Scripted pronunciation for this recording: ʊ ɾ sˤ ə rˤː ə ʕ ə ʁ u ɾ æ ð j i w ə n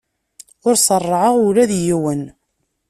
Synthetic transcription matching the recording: ʊ ɾ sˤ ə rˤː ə ʕ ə ʁ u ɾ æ ð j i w ə n

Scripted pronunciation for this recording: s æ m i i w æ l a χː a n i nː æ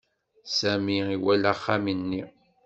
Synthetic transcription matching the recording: s æ m i i w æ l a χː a m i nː i

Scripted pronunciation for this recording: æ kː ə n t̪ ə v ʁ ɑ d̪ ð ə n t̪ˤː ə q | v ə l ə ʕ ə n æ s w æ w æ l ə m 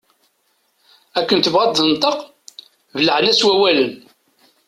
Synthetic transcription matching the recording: æ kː ə n t̪ ə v ʁ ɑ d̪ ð ə n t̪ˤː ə q | v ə l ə ʕ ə n æ s w æ w æ l ə n

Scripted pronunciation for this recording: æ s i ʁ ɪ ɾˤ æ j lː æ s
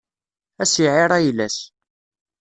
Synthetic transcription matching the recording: æ s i ʕ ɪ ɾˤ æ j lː æ s

